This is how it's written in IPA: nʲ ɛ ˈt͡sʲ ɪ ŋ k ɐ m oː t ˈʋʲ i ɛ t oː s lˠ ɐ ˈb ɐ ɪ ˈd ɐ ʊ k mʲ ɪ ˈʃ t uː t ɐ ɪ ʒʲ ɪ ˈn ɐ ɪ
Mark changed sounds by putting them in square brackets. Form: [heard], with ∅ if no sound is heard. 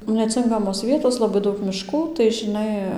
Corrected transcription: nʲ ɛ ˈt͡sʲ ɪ ŋ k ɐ m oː [s] ˈʋʲ i ɛ t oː s lˠ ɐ ˈb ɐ ɪ ˈd ɐ ʊ k mʲ ɪ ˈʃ [k] uː t ɐ ɪ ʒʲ ɪ ˈn ɐ ɪ